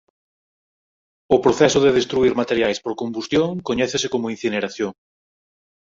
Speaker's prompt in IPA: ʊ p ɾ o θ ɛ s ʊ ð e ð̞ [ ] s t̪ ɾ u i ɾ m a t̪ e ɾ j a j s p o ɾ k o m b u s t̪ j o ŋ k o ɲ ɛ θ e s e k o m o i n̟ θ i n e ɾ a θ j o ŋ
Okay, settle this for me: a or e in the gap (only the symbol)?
e